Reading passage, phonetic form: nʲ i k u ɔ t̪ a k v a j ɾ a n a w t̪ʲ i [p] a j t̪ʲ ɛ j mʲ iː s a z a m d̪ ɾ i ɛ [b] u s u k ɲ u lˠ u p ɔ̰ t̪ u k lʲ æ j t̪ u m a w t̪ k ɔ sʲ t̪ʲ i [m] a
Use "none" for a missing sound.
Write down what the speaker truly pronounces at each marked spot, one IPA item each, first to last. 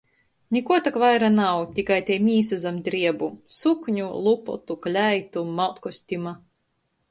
k, b, m

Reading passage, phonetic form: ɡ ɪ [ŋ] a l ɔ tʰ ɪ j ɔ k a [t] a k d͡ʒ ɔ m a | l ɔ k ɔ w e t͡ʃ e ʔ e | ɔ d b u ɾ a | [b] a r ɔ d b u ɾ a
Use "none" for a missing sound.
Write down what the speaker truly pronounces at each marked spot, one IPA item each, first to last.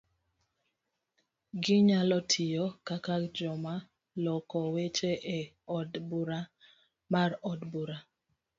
ɲ, k, m

